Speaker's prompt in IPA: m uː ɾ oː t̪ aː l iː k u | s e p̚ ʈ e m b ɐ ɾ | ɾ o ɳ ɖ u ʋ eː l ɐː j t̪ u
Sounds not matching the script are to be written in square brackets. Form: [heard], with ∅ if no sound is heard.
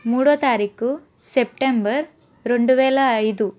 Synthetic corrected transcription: m uː [ɽ] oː t̪ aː [ɾ] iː k u | s e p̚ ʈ e m b ɐ ɾ | ɾ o ɳ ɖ u ʋ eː l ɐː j [d̪] u